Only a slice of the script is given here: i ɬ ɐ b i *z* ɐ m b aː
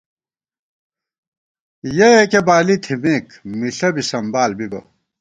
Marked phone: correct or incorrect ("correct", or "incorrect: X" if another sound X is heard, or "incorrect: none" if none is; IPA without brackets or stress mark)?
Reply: incorrect: s